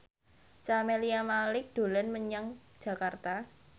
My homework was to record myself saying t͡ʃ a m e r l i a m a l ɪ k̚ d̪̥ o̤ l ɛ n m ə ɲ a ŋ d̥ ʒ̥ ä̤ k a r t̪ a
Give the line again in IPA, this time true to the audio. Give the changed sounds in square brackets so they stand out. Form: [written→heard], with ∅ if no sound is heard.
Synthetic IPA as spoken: t͡ʃ a m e [r→∅] l i a m a l ɪ k̚ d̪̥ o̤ l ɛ n m ə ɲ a ŋ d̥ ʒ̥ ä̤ k a r t̪ a